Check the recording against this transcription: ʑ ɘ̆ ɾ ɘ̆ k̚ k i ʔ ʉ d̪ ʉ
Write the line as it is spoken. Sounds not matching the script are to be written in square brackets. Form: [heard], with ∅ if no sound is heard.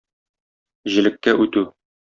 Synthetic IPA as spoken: ʑ ɘ̆ [l] ɘ̆ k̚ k [æ] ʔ ʉ [t̪] ʉ

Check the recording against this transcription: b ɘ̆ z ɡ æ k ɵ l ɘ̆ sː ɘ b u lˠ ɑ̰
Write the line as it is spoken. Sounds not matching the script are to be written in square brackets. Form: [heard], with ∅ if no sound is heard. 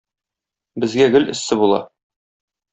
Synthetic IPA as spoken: b ɘ̆ z ɡ æ [ɡ] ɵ l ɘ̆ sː ɘ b u lˠ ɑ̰

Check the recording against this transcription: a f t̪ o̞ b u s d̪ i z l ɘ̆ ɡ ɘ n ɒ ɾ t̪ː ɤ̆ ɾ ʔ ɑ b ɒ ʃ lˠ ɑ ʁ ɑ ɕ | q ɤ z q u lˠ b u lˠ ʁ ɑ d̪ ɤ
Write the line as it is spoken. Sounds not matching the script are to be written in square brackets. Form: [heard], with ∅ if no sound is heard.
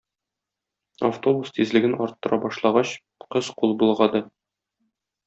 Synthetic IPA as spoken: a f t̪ o̞ b u s [t̪] i z l ɘ̆ ɡ ɘ n ɒ ɾ t̪ː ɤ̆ ɾ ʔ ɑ b ɒ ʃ lˠ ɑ ʁ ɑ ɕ | q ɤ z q u lˠ b u lˠ ʁ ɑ d̪ ɤ

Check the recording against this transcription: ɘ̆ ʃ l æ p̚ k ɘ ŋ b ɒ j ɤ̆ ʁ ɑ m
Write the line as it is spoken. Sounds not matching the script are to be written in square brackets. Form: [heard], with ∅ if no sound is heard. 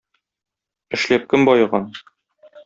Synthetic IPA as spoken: ɘ̆ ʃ l æ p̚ k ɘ [m] b ɒ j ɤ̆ ʁ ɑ [n]

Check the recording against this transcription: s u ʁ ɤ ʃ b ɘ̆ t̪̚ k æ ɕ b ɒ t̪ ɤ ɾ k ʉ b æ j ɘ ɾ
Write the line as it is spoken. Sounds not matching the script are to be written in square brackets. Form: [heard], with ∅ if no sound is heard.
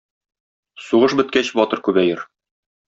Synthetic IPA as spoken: s u ʁ ɤ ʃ b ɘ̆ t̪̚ k æ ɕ b ɒ t̪ ɤ ɾ k ʉ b æ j ɘ ɾ

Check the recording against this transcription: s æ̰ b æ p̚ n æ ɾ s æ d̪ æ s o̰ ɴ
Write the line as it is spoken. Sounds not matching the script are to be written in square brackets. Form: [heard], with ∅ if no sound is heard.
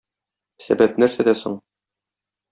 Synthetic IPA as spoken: s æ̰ b æ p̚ n æ ɾ s æ d̪ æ s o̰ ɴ

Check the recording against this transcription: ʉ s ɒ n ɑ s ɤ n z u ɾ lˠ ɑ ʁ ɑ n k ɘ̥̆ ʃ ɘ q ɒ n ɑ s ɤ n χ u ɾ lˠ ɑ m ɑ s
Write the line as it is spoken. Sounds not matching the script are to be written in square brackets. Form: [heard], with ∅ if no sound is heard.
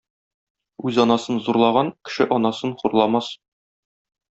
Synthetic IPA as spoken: ʉ [z] ɒ n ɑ s ɤ n z u ɾ lˠ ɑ ʁ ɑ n k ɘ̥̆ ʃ ɘ [ʔ] ɒ n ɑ s ɤ n χ u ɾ lˠ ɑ m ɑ s

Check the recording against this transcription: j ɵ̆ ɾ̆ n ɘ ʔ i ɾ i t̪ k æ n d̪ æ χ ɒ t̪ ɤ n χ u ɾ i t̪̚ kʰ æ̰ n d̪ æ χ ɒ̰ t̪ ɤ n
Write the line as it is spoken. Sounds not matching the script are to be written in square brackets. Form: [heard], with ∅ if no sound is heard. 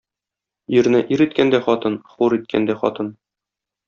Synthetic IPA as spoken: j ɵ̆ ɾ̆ n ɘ ʔ i ɾ i t̪ k æ n d̪ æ χ ɒ t̪ ɤ n χ u ɾ i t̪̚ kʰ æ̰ n d̪ æ χ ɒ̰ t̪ ɤ n

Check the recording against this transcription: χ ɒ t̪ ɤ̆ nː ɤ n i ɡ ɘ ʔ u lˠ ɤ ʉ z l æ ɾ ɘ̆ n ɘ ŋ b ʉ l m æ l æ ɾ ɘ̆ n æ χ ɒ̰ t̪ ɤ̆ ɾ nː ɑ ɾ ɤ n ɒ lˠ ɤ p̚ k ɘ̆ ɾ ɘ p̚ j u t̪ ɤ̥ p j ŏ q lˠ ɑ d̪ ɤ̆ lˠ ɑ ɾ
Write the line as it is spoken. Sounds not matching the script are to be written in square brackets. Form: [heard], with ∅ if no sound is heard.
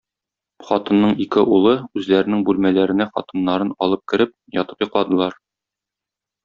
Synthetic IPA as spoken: χ ɒ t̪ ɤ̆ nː ɤ [ɴ] i [k] ɘ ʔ u lˠ ɤ ʉ z l æ ɾ ɘ̆ n ɘ ŋ b ʉ l m æ l æ ɾ ɘ̆ n æ χ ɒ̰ t̪ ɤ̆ [∅] nː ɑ ɾ ɤ n ɒ lˠ ɤ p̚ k ɘ̆ ɾ ɘ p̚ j [ɒ] t̪ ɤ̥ p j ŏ q lˠ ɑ d̪ ɤ̆ lˠ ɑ ɾ

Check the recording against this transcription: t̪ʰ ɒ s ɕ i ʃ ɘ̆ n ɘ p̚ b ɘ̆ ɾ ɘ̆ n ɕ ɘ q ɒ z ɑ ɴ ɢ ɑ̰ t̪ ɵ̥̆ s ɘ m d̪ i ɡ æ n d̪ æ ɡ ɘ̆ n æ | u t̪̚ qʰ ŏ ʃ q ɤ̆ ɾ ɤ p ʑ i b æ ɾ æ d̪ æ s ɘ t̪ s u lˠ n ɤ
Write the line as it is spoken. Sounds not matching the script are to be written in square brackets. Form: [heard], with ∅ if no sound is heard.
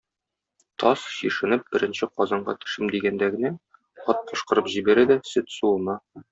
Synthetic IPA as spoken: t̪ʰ ɒ s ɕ i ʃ ɘ̆ n ɘ p̚ b ɘ̆ ɾ ɘ̆ n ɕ ɘ q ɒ z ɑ ɴ ɢ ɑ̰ t̪ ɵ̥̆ [ʃ] ɘ m d̪ i ɡ æ n d̪ æ ɡ ɘ̆ n æ | [ɒ] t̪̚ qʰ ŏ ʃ q ɤ̆ ɾ ɤ p ʑ i b æ ɾ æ d̪ æ s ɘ t̪ s u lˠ n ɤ

